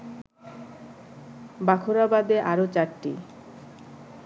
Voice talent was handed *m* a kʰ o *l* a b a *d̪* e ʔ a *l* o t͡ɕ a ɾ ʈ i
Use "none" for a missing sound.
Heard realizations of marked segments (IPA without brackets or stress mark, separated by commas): b, ɾ, d̪, ɾ